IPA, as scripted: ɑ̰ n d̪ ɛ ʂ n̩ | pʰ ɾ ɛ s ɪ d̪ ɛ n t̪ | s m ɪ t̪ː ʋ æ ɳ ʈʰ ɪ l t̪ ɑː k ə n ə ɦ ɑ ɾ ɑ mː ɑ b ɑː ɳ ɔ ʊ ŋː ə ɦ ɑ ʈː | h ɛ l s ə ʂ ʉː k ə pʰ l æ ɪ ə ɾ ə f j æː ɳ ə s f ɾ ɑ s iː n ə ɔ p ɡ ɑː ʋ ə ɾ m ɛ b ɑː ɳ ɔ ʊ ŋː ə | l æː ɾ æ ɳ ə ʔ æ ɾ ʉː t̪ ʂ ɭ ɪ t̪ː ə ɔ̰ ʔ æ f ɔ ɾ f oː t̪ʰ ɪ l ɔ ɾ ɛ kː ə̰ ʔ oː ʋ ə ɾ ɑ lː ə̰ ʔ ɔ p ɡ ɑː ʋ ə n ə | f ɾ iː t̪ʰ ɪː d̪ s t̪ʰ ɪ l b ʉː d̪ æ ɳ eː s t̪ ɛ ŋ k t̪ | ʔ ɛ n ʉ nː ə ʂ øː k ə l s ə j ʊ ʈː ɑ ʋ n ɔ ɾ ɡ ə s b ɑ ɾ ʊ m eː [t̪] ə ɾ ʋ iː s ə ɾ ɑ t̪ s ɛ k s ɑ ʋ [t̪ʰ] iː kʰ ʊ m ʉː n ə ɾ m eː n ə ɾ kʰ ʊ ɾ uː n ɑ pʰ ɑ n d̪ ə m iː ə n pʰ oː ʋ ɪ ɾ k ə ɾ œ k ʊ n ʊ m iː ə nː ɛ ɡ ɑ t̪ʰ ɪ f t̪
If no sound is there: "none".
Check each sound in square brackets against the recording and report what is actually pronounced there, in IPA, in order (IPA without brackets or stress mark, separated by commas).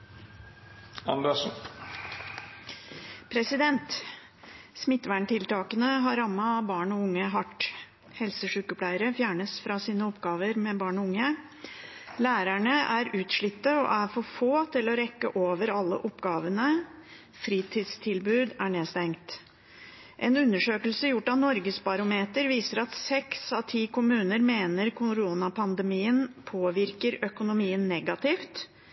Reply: t̪, t̪ʰ